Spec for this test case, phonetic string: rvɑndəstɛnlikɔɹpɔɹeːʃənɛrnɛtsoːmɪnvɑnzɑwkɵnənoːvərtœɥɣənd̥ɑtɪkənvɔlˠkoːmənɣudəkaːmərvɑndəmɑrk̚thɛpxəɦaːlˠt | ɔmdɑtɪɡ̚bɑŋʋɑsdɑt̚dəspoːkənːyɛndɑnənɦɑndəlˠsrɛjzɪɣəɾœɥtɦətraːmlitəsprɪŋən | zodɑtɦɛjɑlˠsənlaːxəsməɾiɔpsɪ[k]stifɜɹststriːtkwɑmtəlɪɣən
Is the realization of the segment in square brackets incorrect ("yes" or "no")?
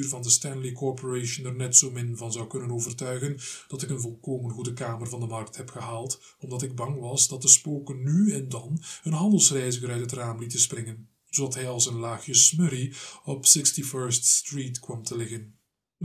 no